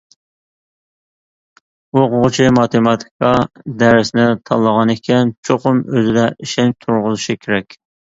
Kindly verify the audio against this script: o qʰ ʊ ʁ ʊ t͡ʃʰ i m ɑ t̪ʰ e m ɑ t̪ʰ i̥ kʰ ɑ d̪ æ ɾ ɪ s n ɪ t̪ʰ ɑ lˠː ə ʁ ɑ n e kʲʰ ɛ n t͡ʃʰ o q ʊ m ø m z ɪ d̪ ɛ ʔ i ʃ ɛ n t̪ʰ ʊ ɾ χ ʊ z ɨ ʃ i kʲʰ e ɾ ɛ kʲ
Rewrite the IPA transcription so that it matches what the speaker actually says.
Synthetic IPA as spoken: o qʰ ʊ ʁ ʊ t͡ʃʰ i m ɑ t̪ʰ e m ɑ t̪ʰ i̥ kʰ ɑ d̪ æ ɾ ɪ s n ɪ t̪ʰ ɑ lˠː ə ʁ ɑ n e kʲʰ ɛ n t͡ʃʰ o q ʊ m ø z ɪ d̪ ɛ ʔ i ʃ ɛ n t̪ʰ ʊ ɾ ʁ ʊ z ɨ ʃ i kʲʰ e ɾ ɛ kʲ